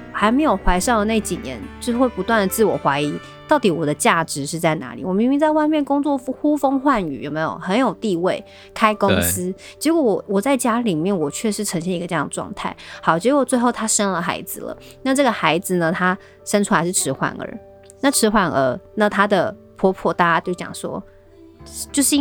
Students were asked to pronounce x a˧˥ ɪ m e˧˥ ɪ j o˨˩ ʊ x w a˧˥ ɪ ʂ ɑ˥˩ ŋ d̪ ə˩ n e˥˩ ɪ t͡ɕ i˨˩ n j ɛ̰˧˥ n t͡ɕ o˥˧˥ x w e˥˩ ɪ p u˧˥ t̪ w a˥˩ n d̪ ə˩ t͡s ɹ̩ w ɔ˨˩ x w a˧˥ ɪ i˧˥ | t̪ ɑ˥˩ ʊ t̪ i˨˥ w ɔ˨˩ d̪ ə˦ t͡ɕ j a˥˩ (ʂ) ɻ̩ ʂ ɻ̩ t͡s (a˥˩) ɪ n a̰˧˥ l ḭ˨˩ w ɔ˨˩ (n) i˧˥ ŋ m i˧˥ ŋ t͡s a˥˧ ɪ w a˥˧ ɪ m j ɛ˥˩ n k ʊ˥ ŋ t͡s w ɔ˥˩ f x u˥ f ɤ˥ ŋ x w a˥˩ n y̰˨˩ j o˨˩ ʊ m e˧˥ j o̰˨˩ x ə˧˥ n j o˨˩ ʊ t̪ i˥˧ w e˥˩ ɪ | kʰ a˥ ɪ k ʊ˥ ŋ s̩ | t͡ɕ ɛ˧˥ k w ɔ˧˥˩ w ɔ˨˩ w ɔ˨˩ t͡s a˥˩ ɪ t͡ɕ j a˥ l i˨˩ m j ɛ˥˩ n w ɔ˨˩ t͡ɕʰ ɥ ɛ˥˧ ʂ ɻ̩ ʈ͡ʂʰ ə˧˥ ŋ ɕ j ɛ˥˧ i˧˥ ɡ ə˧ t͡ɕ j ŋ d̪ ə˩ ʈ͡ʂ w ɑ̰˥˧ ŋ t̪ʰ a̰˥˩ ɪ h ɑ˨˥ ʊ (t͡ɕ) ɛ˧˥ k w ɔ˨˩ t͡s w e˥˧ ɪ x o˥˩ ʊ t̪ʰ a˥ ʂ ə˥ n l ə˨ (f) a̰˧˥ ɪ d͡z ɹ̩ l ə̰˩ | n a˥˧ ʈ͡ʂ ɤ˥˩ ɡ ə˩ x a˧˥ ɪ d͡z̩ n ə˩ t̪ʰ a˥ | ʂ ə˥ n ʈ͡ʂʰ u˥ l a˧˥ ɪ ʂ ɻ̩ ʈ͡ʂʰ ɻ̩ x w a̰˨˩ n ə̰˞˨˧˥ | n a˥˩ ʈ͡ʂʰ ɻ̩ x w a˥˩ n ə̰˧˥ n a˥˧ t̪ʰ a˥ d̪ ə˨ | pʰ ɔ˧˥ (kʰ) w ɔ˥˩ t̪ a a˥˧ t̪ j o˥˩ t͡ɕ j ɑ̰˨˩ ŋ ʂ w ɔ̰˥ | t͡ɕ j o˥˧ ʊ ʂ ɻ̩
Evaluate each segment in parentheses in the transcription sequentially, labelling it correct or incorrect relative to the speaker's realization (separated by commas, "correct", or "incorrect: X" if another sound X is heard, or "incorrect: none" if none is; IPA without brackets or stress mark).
incorrect: ʈ͡ʂ, correct, incorrect: m, correct, incorrect: x, incorrect: pʰ